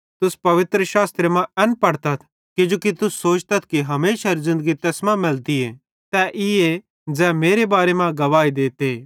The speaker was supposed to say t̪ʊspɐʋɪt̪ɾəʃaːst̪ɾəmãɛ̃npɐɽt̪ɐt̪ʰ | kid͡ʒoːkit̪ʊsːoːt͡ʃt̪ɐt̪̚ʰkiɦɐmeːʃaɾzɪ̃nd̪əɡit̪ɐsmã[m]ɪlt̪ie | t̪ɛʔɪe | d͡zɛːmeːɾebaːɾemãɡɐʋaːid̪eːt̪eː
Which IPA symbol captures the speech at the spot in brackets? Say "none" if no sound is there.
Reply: m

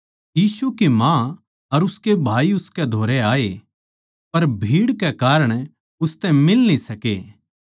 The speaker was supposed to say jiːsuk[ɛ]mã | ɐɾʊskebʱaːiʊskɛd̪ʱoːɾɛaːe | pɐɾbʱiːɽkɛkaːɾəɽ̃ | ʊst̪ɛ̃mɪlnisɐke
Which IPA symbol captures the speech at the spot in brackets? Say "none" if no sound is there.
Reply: i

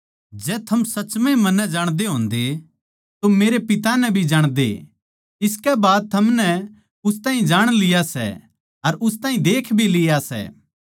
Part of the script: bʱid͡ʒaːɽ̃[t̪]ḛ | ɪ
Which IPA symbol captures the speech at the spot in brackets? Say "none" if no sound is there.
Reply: d̪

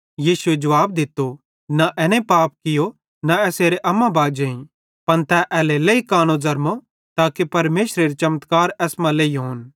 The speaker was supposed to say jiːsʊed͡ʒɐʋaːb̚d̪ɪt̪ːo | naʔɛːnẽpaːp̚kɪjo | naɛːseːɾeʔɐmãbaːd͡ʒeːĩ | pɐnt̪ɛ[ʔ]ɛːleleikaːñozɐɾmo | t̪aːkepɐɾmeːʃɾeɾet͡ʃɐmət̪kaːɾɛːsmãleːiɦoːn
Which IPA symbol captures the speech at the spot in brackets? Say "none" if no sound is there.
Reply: ʔ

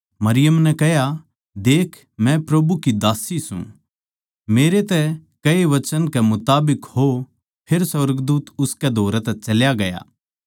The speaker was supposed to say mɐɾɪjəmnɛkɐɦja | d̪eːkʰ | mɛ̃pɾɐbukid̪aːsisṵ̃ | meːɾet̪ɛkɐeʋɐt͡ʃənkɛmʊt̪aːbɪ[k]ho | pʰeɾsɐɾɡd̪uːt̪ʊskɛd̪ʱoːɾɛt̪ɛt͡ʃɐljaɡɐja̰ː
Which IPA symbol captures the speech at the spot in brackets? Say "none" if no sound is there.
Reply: k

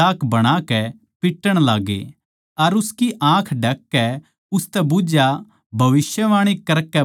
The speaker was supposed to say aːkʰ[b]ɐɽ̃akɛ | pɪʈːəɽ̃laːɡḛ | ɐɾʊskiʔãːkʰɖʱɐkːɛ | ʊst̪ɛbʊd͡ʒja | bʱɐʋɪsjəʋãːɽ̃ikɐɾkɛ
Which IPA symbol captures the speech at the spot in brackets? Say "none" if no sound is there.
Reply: b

